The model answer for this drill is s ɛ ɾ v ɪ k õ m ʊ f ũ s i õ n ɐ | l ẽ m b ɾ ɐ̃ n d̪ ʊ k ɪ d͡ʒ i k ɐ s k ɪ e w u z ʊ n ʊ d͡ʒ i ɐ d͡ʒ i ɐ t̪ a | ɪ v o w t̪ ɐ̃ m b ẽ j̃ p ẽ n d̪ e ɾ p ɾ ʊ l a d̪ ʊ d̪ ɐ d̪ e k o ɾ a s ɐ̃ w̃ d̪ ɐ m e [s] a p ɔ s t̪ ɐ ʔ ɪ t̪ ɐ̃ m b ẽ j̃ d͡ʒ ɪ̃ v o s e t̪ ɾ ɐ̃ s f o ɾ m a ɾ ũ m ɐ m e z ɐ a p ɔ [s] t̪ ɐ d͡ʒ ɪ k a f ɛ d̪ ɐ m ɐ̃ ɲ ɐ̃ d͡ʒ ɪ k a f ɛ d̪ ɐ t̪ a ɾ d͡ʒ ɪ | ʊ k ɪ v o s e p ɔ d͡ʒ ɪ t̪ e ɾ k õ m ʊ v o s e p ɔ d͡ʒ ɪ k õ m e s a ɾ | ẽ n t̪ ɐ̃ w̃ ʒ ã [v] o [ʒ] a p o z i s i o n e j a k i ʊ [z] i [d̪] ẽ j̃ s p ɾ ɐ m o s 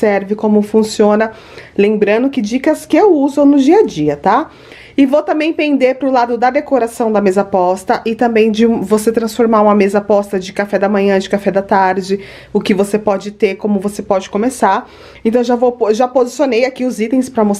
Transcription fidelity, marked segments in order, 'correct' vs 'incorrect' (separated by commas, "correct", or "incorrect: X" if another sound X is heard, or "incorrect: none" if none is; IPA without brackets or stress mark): incorrect: z, correct, correct, correct, correct, incorrect: t̪